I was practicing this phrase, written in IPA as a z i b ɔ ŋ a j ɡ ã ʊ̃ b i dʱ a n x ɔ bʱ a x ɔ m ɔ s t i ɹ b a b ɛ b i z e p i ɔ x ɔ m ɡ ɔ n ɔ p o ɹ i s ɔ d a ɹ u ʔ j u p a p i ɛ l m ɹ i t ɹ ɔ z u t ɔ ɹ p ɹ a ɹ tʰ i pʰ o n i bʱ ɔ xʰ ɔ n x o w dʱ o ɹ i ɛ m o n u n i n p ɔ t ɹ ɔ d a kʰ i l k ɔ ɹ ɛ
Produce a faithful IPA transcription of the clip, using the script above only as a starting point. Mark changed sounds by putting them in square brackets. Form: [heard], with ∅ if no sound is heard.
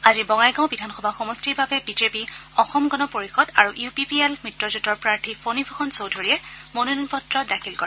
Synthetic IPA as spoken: a z i b ɔ ŋ a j ɡ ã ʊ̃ b i dʱ a n x ɔ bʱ a x ɔ m ɔ s t i ɹ b a b ɛ b i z e p i ɔ x ɔ m ɡ ɔ n ɔ p o ɹ i [x] ɔ d a ɹ u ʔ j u p [i] p i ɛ l m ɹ i t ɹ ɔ z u t ɔ ɹ p ɹ a ɹ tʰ i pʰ o n i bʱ ɔ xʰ ɔ n [s] o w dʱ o ɹ i ɛ m o n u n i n p ɔ t ɹ ɔ d a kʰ i l k ɔ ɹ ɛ